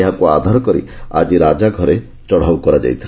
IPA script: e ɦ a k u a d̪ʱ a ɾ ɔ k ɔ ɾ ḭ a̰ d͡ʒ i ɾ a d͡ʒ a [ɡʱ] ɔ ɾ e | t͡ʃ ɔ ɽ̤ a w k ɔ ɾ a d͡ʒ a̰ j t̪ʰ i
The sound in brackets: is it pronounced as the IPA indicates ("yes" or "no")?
yes